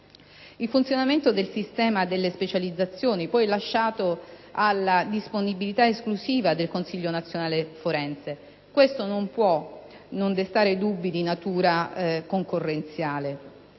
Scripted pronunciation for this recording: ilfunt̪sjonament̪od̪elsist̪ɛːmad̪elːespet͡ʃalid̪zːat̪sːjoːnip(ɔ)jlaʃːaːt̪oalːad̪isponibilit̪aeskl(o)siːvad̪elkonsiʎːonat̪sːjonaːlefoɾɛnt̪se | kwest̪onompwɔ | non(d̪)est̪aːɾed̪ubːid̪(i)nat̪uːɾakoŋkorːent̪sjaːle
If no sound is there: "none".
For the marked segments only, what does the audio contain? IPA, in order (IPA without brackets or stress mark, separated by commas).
ɔ, u, d̪, i